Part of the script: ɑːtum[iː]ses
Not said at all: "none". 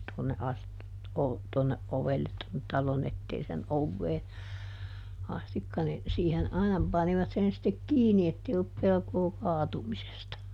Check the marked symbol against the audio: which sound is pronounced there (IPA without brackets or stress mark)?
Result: i